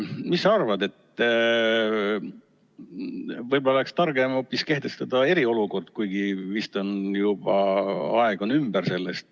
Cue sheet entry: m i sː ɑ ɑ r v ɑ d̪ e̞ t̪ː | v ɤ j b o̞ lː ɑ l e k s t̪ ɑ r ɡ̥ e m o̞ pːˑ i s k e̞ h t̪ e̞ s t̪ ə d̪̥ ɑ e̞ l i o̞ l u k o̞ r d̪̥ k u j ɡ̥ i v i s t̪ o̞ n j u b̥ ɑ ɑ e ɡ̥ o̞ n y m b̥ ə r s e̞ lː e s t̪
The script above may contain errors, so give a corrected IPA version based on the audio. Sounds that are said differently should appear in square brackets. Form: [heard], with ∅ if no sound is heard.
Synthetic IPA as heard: m i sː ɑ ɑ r v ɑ d̪ e̞ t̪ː | v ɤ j b o̞ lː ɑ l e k s t̪ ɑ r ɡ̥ e m o̞ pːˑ i s k e̞ h t̪ e̞ s t̪ [ɑ] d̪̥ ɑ e̞ [ɾ] i o̞ l u k o̞ r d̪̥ k u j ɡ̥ i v i s t̪ o̞ n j u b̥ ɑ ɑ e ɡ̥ o̞ n y m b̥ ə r s e̞ lː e s t̪